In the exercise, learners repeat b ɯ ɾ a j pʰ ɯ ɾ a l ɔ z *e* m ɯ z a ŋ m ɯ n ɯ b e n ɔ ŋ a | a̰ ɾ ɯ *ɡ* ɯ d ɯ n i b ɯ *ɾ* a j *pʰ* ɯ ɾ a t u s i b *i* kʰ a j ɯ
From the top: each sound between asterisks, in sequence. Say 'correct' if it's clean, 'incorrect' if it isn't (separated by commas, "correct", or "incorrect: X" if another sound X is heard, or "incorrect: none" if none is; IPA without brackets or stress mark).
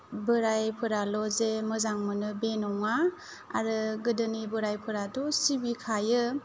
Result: correct, correct, correct, correct, correct